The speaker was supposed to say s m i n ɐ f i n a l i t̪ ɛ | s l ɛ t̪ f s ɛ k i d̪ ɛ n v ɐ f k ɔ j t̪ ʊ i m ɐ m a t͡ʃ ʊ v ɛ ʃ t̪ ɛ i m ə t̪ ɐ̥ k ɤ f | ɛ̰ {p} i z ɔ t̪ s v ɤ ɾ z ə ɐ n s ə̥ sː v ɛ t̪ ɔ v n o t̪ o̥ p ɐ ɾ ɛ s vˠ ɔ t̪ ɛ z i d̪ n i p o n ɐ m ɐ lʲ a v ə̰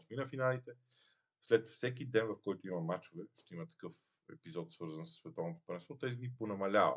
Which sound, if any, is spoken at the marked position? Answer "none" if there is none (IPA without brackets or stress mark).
p